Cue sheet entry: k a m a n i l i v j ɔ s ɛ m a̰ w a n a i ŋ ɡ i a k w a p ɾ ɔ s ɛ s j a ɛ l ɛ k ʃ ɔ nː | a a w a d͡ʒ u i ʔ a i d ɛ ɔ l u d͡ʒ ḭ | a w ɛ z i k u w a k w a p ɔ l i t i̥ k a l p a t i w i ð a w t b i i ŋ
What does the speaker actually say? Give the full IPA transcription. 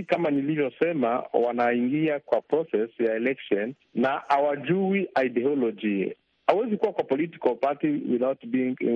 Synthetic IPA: k a m a n i l i v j ɔ s ɛ m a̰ w a n a i ŋ ɡ i a k w a p ɾ ɔ s ɛ s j a ɛ l ɛ k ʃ ɔ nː | a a w a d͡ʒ u i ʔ a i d ɛ ɔ l ɔ d͡ʒ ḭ | a w ɛ z i k u w a k w a p ɔ l i t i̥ k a l p a t i w i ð a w t b i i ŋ